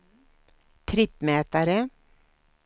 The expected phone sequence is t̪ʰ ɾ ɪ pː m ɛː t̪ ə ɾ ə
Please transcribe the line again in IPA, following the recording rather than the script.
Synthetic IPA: t̪ʰ ɾ ɪ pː m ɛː t̪ a ɾ ə